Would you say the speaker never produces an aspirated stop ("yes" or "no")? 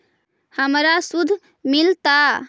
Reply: yes